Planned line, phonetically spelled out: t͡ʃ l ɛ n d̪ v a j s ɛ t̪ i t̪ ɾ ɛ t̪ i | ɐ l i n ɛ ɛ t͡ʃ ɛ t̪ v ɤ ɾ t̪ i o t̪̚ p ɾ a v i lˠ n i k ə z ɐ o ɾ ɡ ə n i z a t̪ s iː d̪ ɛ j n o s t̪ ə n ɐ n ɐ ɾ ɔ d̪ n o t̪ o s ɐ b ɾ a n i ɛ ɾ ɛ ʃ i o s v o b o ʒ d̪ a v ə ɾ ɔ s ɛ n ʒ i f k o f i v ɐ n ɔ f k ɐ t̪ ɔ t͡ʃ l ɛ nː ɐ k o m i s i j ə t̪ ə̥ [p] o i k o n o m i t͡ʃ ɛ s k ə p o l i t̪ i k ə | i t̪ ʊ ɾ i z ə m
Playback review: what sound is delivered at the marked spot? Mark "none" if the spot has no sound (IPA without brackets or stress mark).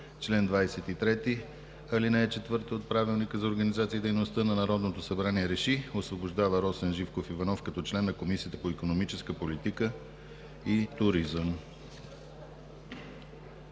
p